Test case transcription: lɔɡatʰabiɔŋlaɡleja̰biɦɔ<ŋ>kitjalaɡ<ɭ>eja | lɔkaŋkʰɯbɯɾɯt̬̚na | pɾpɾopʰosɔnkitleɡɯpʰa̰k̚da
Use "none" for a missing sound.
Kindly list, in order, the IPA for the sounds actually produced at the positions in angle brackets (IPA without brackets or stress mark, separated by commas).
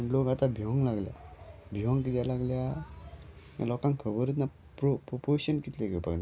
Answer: ŋ, l